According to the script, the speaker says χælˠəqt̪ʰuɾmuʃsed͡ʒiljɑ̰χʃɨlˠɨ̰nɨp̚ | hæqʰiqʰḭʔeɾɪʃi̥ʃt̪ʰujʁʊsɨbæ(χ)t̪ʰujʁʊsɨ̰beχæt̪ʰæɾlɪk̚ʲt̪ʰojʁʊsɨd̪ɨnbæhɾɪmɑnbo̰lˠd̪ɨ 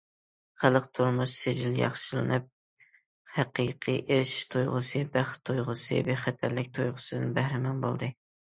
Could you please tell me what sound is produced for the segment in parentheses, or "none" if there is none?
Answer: χ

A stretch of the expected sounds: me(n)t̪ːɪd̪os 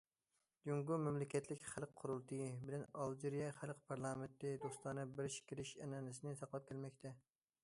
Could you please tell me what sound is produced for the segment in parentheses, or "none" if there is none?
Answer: n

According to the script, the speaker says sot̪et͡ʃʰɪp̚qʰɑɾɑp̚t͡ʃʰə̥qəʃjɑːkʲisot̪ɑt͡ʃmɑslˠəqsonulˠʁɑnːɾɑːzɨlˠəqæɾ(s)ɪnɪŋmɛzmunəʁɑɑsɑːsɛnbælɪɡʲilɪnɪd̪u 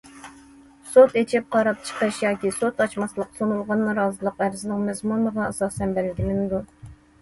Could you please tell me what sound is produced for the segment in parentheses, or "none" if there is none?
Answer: z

